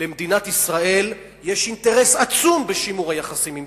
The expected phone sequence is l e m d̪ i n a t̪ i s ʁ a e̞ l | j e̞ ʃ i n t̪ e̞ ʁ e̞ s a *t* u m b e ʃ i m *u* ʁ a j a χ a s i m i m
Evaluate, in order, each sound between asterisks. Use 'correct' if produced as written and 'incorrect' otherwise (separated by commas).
incorrect, correct